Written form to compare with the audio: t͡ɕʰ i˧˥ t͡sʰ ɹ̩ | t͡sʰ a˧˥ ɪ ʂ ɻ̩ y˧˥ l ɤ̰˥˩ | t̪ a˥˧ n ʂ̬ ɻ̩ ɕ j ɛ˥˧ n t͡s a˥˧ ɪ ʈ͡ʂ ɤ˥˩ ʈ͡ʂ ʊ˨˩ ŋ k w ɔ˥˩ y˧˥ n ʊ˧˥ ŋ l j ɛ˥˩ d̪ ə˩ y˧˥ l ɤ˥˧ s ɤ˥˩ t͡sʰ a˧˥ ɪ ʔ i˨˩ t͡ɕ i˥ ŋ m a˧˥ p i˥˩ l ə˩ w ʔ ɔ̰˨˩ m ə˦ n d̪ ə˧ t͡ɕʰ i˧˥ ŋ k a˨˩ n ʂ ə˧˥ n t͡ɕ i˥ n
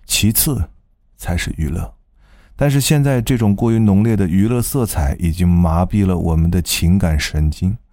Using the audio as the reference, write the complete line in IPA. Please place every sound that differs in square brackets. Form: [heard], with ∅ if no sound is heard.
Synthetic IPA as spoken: t͡ɕʰ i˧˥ t͡sʰ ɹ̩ | t͡sʰ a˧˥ ɪ ʂ ɻ̩ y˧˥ l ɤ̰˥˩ | t̪ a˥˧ n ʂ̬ ɻ̩ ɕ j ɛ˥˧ n t͡s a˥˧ ɪ ʈ͡ʂ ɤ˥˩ ʈ͡ʂ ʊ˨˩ ŋ k w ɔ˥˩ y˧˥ n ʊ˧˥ ŋ l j ɛ˥˩ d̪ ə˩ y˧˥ l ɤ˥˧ s ɤ˥˩ t͡sʰ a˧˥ ɪ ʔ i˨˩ t͡ɕ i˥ ŋ m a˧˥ p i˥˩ l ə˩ w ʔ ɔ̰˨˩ m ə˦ n d̪ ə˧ t͡ɕʰ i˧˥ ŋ k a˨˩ n ʂ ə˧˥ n t͡ɕ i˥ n